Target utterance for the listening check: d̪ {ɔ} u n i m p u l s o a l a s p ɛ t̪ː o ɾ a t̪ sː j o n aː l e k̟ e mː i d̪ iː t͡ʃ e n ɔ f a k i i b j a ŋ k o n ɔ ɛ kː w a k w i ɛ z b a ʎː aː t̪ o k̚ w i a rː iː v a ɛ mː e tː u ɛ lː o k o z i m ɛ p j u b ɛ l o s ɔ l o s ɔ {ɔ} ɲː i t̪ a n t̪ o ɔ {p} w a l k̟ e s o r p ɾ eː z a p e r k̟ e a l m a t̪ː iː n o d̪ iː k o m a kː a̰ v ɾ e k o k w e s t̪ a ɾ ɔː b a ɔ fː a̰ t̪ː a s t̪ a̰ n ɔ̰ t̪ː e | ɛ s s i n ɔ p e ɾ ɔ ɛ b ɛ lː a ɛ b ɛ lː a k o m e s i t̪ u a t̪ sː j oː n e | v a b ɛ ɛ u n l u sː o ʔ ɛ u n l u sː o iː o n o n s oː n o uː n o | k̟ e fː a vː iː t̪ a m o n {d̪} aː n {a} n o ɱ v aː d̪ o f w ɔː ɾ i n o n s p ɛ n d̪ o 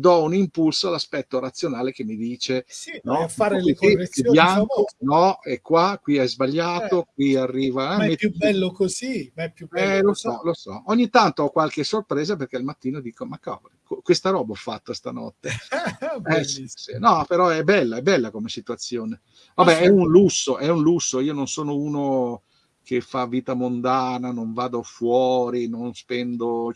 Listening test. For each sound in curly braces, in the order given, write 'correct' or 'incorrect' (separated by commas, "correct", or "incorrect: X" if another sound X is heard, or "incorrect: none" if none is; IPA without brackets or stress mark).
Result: correct, incorrect: o, incorrect: k, correct, correct